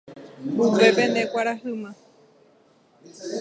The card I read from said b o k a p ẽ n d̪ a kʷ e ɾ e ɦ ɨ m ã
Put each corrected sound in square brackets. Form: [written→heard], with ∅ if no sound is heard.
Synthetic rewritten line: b [o→u] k [a→e] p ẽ n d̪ [a→e] kʷ [e→a] ɾ [e→a] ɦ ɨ m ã